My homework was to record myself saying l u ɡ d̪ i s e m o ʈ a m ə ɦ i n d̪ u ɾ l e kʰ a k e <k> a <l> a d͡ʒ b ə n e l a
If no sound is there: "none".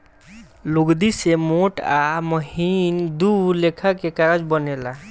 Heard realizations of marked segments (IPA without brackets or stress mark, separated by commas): k, ɾ